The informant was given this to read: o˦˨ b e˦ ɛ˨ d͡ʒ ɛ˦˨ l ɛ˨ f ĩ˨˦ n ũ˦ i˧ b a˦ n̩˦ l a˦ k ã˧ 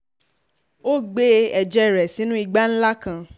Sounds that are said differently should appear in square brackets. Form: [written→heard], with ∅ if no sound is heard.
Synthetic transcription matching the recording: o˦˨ [b→ɡ͡b] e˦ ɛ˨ d͡ʒ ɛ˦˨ [l→ɾ] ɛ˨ [f→s] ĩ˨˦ n ũ˦ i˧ [b→ɡ͡b] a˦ n̩˦ l a˦ k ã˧